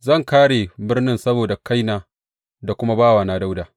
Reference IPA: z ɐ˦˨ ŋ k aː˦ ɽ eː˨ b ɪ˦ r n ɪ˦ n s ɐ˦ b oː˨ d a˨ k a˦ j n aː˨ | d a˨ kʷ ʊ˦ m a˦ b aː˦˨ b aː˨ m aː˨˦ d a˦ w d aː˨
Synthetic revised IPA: z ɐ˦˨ ŋ k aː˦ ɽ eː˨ b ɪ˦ r n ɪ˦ n s ɐ˦ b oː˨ d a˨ k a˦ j n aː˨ | d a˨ kʷ ʊ˦ m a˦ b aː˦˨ w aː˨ n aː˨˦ d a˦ w d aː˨